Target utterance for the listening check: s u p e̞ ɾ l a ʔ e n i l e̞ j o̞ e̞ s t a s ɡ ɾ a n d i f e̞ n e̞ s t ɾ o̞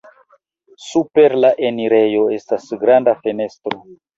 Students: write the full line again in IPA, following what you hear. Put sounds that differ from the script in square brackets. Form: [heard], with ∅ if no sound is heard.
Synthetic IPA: s u p e̞ ɾ l a ʔ e n i [ɾ] e̞ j o̞ e̞ s t a s ɡ ɾ a n d [a] f e̞ n e̞ s t ɾ o̞

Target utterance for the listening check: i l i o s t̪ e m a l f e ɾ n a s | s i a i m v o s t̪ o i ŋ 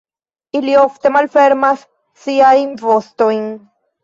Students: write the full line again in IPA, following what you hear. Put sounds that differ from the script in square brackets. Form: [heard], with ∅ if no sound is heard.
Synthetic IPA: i l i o [f] t̪ e m a l f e ɾ [m] a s | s i a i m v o s t̪ o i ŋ

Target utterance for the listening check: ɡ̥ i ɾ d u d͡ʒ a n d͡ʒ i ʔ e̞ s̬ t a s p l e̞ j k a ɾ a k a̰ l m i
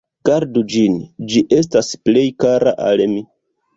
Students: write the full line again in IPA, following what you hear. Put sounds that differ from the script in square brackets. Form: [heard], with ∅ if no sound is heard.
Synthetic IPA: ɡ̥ [a] ɾ d u d͡ʒ [i] n d͡ʒ i ʔ e̞ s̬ t a s p l e̞ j k a ɾ a [ʔ] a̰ l m i

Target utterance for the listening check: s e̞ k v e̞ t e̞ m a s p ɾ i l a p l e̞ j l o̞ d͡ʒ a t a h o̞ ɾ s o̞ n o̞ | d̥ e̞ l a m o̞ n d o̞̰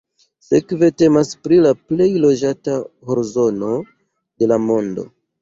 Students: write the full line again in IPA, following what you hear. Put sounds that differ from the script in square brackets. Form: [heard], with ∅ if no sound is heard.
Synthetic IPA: s e̞ k v e̞ t e̞ m a s p ɾ i l a p l e̞ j l o̞ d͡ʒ a t a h o̞ ɾ [z] o̞ n o̞ | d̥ e̞ l a m o̞ n d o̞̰

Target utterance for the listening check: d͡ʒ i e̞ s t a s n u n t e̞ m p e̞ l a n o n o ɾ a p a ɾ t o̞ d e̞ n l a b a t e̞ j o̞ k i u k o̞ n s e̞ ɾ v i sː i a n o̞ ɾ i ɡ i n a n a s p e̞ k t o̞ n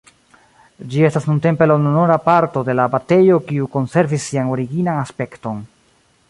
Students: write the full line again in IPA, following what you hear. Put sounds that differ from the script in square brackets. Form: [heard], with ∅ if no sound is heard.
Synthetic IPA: d͡ʒ i e̞ s t a s n u n t e̞ m p e̞ l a n o n o ɾ a p a ɾ t o̞ d e̞ [∅] l a b a t e̞ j o̞ k i u k o̞ n s e̞ ɾ v i sː i a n o̞ ɾ i ɡ i n a n a s p e̞ k t o̞ n

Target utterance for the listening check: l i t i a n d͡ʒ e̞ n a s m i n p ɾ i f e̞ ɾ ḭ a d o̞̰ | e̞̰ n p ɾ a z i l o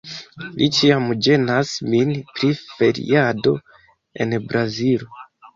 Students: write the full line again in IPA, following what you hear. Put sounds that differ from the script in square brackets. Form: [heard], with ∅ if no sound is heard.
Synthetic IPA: l i [t͡ʃ] i a [m] d͡ʒ e̞ n a s m i n p ɾ i f e̞ ɾ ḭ a d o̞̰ | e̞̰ n [b] ɾ a z i l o

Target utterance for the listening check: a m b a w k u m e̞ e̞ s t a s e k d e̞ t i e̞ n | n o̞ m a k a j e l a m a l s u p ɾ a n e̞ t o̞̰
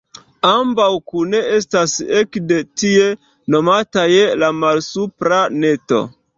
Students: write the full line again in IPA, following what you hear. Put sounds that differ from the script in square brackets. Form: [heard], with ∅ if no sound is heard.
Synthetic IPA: a m b a w k u [n] e̞ e̞ s t a s e k d e̞ t i e̞ [∅] | n o̞ m a [t] a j e l a m a l s u p ɾ a n e̞ t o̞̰

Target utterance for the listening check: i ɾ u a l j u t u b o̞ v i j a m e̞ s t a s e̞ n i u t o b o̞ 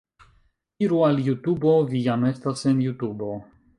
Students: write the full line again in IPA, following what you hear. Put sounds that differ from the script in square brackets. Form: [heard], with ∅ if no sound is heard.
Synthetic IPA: i ɾ u a l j u t u b o̞ v i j a m e̞ s t a s e̞ n [j] u t [u] b o̞

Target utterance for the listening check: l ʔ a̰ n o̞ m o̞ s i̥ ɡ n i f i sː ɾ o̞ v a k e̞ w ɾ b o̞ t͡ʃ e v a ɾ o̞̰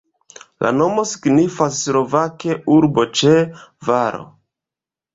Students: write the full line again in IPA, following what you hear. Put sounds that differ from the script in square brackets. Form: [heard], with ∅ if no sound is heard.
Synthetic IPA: l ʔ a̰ n o̞ m o̞ s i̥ ɡ n i f [a] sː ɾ o̞ v a k e̞ [u] ɾ b o̞ t͡ʃ e v a ɾ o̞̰

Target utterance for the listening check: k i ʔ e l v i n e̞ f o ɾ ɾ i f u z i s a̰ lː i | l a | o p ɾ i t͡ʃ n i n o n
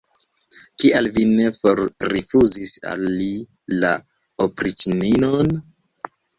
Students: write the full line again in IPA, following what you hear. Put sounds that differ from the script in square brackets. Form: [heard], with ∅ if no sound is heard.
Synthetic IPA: k i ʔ [a] l v i n e̞ f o ɾ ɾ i f u z i s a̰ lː i | l a | o p ɾ i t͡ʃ n i n o n

